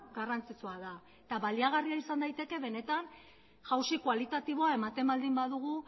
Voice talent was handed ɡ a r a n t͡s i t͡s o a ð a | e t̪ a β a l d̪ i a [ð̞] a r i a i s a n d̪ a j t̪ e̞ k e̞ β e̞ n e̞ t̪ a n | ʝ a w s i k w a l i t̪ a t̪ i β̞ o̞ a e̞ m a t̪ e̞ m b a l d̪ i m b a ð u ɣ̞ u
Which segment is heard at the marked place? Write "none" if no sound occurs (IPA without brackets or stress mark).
ɣ̞